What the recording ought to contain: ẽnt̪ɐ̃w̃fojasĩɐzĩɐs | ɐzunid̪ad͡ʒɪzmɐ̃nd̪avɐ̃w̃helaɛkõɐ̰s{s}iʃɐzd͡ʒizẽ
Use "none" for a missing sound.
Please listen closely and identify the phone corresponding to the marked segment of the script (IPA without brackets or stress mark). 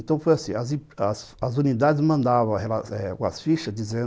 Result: f